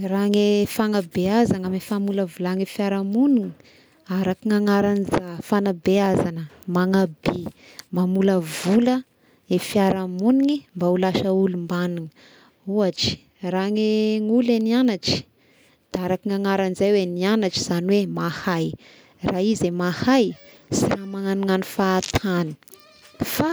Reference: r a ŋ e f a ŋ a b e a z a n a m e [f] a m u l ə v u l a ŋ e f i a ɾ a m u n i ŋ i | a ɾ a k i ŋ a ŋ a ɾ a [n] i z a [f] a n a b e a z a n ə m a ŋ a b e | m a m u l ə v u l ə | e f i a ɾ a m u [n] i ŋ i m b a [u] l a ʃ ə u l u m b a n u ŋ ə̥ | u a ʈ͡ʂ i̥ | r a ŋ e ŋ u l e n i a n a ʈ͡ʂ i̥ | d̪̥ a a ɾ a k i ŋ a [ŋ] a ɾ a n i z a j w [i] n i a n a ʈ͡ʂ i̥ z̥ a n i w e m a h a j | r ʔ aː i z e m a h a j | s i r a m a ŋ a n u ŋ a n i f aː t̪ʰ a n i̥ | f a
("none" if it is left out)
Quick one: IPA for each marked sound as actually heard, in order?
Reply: f, n, f, n, u, ŋ, e

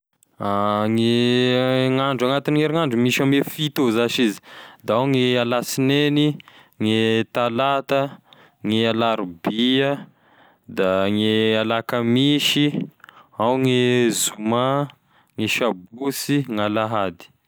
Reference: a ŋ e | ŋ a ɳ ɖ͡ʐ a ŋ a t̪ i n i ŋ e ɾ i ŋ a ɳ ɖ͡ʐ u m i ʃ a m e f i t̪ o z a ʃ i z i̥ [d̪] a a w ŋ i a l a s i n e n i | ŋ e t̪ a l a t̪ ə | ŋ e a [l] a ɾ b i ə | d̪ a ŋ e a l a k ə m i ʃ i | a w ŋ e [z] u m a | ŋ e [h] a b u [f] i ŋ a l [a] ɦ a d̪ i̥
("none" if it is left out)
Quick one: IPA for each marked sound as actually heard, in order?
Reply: d̪, l, z, ʃ, s, a

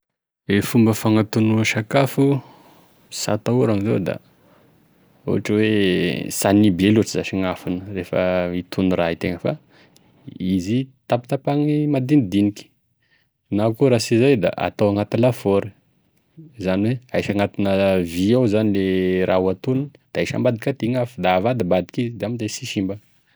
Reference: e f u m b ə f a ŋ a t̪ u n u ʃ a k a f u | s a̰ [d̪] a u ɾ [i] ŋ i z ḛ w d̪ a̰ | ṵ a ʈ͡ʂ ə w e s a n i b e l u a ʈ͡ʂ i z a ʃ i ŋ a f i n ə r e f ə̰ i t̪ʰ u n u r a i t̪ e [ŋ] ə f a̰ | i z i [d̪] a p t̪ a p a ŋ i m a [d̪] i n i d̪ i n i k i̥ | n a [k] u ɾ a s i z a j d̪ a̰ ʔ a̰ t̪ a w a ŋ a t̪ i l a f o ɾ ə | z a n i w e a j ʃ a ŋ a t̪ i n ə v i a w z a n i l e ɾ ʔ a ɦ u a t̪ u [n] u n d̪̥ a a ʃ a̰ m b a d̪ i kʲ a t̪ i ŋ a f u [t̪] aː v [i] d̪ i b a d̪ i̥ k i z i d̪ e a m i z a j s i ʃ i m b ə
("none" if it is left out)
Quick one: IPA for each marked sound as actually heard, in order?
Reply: t̪, a, ŋ, t̪, d̪, k, n, d̪, a

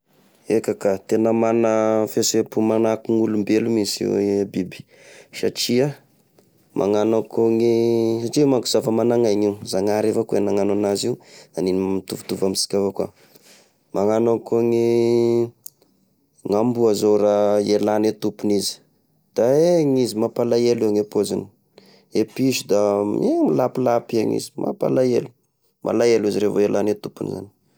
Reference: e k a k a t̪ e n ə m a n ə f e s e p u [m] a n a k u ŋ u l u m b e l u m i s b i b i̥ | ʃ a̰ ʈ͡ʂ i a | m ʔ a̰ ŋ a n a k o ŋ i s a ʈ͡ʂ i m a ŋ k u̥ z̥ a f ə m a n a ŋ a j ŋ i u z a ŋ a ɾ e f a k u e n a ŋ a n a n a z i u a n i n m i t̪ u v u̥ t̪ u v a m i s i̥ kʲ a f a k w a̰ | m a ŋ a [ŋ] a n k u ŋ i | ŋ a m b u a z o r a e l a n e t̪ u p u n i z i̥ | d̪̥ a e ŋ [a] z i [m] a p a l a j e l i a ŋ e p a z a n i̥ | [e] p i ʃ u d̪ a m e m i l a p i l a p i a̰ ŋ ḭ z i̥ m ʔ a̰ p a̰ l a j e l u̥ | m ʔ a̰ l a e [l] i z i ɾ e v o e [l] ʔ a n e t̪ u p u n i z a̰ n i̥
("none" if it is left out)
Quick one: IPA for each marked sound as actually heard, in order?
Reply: m, n, i, m, e, l, l

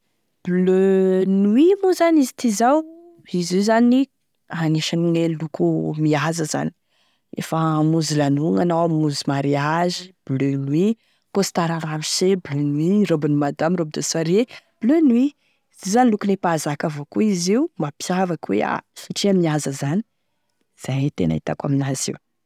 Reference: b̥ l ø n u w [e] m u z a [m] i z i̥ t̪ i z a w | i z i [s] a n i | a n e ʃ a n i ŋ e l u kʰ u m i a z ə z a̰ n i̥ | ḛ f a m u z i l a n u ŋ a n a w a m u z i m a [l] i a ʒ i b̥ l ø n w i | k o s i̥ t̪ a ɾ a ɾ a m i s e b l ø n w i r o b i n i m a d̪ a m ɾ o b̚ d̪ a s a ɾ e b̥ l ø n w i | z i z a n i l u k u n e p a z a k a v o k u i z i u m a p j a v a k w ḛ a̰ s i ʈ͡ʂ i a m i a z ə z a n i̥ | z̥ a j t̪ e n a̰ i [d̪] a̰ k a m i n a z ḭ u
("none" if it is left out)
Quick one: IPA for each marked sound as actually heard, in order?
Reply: i, n, z, ɾ, t̪

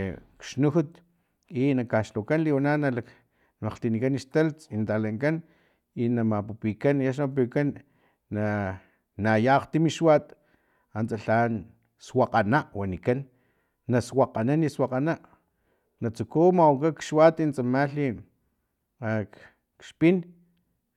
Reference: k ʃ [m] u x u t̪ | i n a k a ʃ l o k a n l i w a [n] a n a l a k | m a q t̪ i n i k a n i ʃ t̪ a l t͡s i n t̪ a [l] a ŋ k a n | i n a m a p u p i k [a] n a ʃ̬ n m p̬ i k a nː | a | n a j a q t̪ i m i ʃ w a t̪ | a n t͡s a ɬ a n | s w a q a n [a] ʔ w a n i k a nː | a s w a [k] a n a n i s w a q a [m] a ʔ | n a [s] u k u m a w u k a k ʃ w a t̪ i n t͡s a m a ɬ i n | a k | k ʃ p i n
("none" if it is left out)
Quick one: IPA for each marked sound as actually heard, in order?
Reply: n, n, l, a, a, q, n, t͡s

